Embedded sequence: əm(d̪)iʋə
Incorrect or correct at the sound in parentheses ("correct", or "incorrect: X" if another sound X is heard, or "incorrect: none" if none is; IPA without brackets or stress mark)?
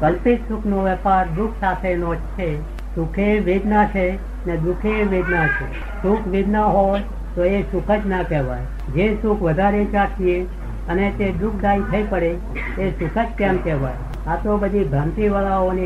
incorrect: t̪